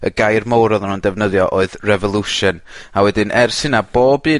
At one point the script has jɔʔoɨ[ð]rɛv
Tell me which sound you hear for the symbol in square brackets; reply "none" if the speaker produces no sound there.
ð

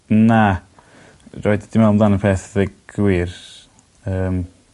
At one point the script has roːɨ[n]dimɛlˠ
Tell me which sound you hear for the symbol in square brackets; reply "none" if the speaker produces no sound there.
d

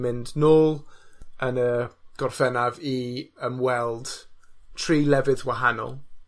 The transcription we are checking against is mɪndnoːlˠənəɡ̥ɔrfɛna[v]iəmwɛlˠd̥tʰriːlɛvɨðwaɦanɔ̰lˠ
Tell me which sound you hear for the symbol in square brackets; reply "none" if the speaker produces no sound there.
v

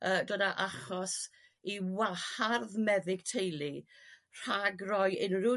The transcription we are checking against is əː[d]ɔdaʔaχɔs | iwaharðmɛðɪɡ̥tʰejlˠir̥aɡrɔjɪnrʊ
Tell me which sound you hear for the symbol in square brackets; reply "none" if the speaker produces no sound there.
d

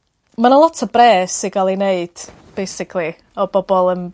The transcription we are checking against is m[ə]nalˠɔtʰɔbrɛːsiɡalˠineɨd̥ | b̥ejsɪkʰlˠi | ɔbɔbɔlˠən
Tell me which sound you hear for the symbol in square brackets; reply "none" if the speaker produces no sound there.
a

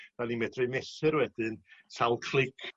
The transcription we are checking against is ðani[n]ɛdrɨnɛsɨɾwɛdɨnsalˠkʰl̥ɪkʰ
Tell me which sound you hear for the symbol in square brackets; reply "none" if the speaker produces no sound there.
m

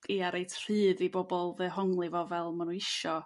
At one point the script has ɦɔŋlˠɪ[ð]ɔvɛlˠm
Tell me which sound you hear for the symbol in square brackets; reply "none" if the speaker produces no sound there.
v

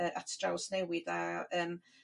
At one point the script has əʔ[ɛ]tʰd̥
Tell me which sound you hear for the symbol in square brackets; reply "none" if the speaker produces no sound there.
a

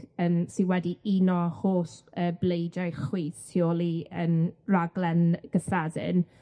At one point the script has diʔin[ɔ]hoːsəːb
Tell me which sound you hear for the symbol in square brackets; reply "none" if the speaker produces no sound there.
ɔ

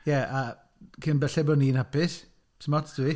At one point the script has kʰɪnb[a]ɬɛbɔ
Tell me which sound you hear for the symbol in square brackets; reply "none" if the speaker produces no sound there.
ɛ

